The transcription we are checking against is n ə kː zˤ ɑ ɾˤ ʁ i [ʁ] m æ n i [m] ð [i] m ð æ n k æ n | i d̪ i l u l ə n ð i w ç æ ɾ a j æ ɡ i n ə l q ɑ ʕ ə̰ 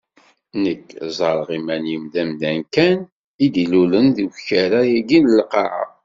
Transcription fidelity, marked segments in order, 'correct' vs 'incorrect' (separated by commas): incorrect, correct, incorrect